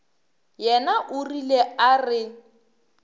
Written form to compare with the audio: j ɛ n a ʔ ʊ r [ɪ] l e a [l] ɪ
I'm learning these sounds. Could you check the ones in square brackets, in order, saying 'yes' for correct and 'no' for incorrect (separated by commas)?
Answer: no, no